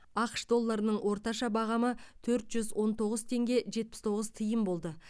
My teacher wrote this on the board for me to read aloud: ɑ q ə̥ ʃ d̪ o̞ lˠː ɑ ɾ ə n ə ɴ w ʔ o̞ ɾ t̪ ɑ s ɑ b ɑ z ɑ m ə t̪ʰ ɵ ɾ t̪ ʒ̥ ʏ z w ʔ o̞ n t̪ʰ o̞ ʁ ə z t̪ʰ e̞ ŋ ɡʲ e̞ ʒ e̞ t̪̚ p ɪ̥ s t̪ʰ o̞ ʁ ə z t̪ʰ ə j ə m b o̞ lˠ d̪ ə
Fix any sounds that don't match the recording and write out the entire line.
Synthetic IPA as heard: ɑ q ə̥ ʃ d̪ o̞ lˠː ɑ ɾ ə n ə ɴ w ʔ o̞ ɾ t̪ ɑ ʃ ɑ b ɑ ʁ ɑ m ə t̪ʰ ɵ ɾ t̪ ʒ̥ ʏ z w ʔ o̞ n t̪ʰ o̞ ʁ ə z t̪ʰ e̞ ŋ ɡʲ e̞ ʒ e̞ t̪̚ p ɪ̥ s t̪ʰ o̞ ʁ ə z t̪ʰ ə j ə m b o̞ lˠ d̪ ə